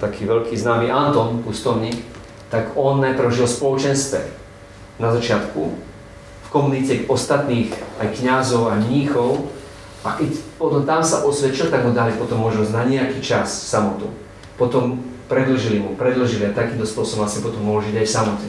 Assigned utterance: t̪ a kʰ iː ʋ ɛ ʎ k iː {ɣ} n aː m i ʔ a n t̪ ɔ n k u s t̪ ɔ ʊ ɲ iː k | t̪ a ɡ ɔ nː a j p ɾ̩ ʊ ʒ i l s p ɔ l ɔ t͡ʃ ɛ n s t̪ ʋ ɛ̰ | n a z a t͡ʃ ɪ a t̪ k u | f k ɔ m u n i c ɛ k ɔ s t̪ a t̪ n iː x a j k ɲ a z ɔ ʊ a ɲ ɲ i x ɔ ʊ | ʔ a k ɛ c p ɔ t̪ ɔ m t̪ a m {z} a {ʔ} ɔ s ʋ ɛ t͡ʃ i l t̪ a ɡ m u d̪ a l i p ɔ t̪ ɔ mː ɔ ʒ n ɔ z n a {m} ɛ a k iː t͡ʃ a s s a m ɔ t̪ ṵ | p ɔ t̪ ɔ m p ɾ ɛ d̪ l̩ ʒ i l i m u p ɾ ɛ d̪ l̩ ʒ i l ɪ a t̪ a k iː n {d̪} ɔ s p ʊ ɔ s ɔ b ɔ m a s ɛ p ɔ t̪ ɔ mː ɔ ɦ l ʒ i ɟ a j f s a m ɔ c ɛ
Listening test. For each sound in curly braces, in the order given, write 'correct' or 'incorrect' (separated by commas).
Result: incorrect, incorrect, correct, incorrect, incorrect